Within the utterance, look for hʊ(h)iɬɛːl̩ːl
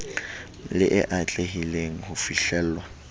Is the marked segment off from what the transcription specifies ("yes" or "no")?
yes